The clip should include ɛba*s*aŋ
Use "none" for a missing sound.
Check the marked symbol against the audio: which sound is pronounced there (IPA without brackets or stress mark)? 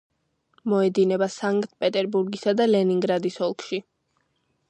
s